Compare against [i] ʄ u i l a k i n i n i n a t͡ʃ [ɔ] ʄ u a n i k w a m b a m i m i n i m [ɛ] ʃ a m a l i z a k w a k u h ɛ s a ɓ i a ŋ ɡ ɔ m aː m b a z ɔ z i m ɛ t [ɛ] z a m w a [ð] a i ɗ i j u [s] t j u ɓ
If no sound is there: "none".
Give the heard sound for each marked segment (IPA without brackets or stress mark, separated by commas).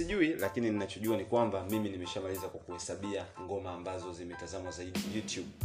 i, ɔ, ɛ, a, z, none